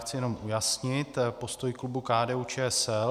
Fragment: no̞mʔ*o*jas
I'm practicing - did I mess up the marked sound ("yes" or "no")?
yes